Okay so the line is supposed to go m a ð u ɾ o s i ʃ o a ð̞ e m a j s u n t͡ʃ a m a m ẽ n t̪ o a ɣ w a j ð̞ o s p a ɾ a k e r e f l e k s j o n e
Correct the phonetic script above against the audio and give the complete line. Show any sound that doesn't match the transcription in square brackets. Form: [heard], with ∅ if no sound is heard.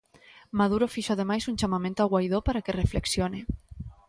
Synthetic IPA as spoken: m a ð u ɾ o [f] i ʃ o a ð̞ e m a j s u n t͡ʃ a m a m ẽ n t̪ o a ɣ w a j ð̞ o [∅] p a ɾ a k e r e f l e k s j o n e

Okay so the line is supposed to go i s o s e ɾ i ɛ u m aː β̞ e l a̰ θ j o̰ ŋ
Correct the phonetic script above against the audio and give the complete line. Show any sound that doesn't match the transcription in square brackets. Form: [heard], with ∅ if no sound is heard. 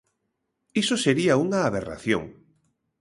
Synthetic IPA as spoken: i s o s e ɾ i [a] u [ŋ] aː β̞ e [r] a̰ θ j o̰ ŋ

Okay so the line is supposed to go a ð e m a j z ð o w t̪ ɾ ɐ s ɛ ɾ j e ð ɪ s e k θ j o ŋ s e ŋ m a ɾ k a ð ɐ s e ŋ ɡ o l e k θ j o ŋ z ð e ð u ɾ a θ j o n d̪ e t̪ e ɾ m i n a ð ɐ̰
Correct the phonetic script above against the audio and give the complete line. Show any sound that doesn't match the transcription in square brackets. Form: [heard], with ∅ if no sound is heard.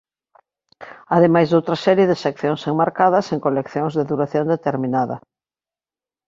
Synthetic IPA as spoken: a ð e m a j z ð o w t̪ ɾ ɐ s ɛ ɾ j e ð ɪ s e k θ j o ŋ s e ŋ m a ɾ k a ð ɐ s e ŋ [k] o l e k θ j o ŋ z ð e ð u ɾ a θ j o n d̪ e t̪ e ɾ m i n a ð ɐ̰

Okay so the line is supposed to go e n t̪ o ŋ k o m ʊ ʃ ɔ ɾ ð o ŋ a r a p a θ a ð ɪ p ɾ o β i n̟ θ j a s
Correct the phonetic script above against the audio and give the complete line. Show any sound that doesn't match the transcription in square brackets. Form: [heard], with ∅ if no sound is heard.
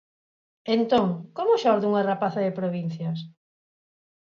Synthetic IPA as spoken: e n t̪ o ŋ k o m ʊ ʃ ɔ ɾ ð [u] ŋ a r a p a θ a ð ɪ p ɾ o β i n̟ θ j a s

